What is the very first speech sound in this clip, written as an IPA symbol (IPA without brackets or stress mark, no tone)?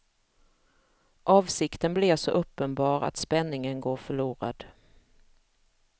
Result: ʔ